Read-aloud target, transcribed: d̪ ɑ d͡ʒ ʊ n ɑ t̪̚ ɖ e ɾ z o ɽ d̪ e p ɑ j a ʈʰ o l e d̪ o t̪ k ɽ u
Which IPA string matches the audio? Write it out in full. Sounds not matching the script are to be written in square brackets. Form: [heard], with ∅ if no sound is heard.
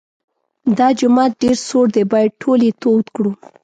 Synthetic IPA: d̪ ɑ d͡ʒ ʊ [m] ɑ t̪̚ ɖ e ɾ [s] o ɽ d̪ e [b] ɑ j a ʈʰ o l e [t̪] o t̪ k ɽ u